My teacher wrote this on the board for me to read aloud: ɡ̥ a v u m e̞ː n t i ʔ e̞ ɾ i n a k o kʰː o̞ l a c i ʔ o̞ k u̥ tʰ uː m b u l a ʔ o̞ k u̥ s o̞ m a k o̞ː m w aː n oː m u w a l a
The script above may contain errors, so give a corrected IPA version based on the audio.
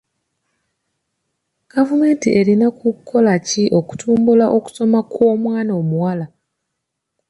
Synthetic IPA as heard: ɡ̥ a v u m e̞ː n t i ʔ e̞ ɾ i n a k u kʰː o̞ l a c i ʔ o̞ k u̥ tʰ uː m b u l a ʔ o̞ k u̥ s o̞ m a k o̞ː m w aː n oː m u w a l a